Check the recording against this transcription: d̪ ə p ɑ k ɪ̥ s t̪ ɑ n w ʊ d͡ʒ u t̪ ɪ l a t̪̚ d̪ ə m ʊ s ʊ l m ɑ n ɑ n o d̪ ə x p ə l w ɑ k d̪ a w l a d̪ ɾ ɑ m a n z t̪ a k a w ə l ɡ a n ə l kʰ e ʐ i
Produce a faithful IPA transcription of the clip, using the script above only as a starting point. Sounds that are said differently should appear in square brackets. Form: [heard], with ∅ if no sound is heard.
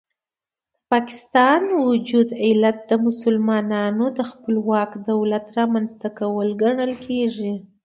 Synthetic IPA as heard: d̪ ə p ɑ k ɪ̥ s t̪ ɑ n w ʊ d͡ʒ u [d̪] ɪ l a t̪̚ d̪ ə m ʊ s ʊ l m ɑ n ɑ n o d̪ ə x p ə l w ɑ k d̪ a w l a [t̪] ɾ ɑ m a n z t̪ a k a w ə l ɡ a [ɳ] ə l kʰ e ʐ i